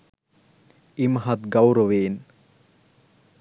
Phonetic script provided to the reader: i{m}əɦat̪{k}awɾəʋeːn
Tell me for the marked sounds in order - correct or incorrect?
correct, incorrect: ɡ

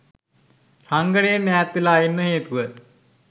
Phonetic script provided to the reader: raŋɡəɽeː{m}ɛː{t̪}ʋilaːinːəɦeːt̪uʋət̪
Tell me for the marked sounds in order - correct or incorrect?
incorrect: n, correct

